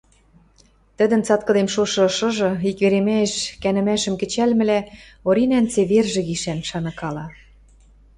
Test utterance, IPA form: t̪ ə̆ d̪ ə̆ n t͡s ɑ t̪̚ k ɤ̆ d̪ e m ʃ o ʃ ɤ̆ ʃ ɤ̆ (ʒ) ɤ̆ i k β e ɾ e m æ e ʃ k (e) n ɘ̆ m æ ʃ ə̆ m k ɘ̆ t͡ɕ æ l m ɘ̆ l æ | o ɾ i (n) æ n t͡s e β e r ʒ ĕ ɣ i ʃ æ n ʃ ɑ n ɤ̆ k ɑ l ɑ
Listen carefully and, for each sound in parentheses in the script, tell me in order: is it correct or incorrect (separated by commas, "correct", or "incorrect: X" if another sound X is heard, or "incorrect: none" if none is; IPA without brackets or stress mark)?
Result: correct, incorrect: æ, correct